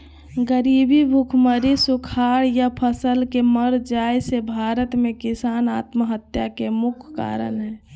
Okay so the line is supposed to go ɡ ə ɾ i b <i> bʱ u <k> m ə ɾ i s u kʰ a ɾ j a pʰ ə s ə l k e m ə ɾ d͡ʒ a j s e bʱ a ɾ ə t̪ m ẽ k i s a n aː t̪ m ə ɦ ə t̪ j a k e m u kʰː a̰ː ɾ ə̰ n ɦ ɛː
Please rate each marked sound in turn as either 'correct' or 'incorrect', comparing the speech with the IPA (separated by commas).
correct, incorrect